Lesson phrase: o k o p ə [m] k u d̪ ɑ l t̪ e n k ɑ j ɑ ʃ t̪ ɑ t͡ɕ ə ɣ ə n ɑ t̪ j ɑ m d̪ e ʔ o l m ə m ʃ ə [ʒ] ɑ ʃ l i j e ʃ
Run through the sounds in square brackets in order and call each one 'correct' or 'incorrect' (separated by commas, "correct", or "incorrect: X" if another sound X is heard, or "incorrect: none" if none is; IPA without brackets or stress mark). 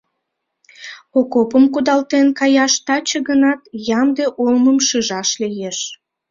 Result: correct, correct